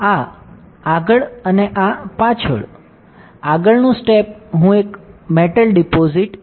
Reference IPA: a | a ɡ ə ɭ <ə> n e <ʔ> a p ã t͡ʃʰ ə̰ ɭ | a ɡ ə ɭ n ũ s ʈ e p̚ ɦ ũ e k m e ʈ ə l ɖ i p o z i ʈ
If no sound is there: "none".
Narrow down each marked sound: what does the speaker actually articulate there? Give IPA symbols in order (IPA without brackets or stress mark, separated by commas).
ə, ʔ